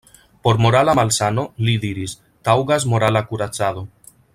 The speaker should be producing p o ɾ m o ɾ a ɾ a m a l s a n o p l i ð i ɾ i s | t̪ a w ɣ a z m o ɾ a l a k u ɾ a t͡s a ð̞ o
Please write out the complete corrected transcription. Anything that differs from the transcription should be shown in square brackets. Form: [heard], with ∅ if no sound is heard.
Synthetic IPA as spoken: p o ɾ m o ɾ a [l] a m a l s a n o [∅] l i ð i ɾ i s | t̪ a w ɣ a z m o ɾ a l a k u ɾ a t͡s a ð̞ o